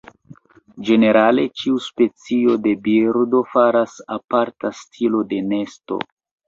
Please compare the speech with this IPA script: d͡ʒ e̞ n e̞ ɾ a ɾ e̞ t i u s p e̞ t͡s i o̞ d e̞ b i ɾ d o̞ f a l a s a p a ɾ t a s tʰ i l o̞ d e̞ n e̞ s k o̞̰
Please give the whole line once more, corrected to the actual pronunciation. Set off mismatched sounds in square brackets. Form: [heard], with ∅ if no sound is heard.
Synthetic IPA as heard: d͡ʒ e̞ n e̞ ɾ a [l] e̞ [t͡ʃ] i u s p e̞ t͡s i o̞ d e̞ b i ɾ d o̞ f a [ɾ] a s a p a ɾ t a s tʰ i l o̞ d e̞ n e̞ s [t] o̞̰